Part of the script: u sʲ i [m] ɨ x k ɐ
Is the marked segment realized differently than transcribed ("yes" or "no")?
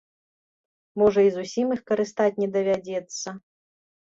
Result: no